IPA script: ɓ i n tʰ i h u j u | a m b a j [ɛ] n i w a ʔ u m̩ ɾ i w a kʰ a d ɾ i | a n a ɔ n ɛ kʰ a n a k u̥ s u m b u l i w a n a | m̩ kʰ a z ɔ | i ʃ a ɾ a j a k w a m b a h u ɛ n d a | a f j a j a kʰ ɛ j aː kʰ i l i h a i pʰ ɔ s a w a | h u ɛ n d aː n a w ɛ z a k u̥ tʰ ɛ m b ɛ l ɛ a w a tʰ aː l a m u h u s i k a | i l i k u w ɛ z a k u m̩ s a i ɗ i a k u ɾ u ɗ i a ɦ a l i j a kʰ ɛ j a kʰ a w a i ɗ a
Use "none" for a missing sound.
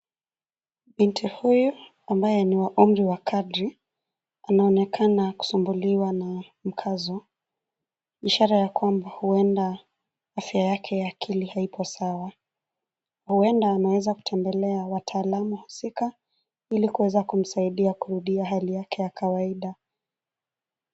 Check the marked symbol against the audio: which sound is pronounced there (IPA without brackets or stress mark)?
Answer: ɛ